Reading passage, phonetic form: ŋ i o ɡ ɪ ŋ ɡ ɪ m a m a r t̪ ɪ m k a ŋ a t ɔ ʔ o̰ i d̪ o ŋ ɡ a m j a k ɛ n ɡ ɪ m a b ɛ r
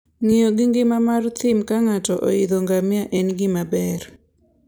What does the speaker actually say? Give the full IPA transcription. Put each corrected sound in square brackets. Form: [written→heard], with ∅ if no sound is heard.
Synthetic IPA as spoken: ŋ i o ɡ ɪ ŋ ɡ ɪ m a m a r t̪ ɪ m k a ŋ a t ɔ ʔ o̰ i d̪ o ŋ ɡ a m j a [k→ʔ] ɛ n ɡ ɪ m a b ɛ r